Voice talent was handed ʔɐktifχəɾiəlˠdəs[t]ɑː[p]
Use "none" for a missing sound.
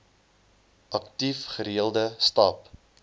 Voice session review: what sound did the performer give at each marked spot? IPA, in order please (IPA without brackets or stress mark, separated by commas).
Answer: t, p